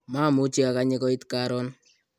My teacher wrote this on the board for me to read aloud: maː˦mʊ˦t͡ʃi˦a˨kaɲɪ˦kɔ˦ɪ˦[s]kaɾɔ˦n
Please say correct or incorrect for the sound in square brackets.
incorrect